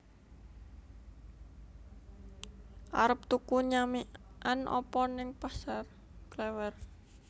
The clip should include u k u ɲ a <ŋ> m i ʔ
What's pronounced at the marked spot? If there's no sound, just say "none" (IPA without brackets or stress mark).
none